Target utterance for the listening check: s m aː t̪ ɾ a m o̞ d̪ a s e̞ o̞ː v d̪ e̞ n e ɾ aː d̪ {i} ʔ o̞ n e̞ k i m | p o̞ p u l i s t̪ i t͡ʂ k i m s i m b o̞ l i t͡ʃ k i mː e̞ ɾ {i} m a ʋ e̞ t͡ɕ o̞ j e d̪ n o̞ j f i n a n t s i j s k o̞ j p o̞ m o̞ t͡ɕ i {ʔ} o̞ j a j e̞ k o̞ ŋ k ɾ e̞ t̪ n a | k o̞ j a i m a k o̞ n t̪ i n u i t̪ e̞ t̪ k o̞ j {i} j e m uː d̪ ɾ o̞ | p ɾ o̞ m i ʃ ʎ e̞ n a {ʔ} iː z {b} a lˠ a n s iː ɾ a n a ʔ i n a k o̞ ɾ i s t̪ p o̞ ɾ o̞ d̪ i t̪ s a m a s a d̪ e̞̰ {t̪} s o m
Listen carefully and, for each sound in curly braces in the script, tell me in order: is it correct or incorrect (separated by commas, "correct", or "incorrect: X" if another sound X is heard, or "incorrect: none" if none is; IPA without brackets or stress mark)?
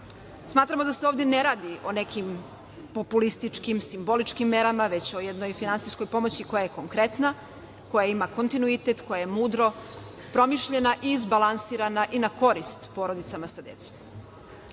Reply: correct, incorrect: a, incorrect: k, incorrect: a, correct, correct, correct